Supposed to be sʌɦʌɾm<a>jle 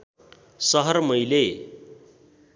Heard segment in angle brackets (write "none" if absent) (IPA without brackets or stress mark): ʌ